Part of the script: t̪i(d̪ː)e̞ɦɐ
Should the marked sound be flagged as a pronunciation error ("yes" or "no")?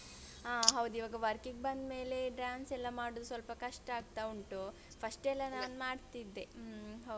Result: no